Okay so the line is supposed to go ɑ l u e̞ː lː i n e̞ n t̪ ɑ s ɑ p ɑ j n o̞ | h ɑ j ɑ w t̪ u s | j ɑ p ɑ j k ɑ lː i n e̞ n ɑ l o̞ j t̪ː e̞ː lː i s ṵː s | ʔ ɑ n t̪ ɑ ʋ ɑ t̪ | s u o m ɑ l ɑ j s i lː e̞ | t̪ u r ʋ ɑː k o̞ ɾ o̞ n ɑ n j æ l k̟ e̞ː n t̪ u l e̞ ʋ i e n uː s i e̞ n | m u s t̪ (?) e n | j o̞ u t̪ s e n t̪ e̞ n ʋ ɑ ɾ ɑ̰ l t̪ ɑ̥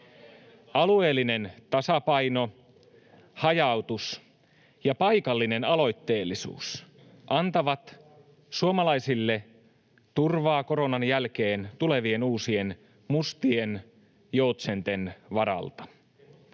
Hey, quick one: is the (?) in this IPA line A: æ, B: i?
B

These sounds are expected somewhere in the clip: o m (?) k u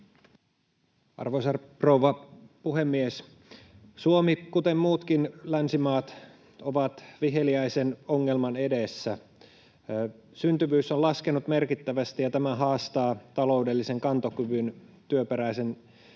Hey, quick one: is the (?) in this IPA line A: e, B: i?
B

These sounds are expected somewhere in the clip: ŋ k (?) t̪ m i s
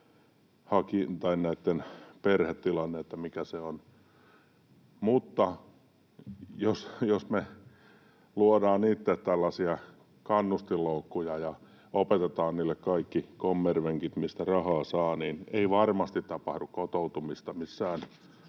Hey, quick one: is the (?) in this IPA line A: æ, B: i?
B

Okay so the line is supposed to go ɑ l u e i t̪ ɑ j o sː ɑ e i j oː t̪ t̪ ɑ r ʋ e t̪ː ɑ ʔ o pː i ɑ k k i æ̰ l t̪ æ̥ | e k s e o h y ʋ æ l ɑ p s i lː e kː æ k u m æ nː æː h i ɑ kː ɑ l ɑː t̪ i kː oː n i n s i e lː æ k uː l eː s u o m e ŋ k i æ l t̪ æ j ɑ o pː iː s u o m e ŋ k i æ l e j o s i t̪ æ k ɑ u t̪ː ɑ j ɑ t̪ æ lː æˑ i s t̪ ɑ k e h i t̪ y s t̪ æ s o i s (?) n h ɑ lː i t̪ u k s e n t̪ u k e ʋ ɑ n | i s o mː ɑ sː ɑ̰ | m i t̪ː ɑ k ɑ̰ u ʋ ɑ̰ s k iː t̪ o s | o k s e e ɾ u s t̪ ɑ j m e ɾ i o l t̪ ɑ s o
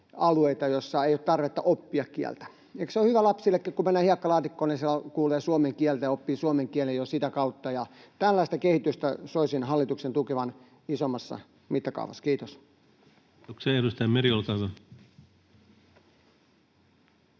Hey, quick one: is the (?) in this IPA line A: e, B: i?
B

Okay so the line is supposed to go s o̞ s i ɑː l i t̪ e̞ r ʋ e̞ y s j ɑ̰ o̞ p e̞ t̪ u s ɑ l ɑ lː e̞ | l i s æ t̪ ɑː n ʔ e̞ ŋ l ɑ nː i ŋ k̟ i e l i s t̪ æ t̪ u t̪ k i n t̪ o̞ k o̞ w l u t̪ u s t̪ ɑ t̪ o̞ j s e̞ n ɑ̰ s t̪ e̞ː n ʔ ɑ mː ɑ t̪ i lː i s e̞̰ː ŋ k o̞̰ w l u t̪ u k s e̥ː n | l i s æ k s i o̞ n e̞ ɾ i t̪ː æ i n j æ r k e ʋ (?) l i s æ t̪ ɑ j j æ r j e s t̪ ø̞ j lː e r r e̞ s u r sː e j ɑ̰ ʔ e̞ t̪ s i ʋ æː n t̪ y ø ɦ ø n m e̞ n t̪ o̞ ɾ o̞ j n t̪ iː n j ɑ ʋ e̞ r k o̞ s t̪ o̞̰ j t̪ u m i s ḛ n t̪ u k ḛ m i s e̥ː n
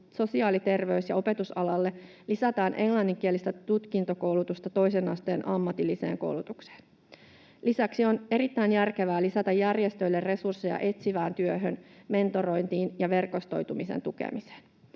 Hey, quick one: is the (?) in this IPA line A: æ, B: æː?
B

